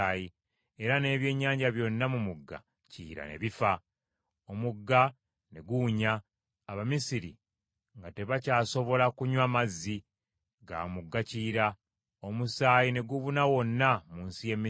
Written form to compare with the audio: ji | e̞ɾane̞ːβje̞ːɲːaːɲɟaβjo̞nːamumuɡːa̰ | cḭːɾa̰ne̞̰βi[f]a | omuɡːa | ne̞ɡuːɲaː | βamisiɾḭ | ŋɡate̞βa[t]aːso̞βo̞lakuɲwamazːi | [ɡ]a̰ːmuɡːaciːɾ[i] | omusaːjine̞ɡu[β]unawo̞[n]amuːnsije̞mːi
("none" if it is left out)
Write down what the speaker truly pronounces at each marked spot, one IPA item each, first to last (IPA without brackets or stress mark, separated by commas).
f, c, ɡ, a, β, nː